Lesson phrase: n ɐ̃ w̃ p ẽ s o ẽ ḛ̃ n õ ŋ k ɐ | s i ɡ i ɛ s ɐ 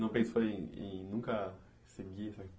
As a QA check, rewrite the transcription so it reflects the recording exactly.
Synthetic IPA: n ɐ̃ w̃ p ẽ s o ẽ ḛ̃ n ũ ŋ k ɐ | s e ɡ i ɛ s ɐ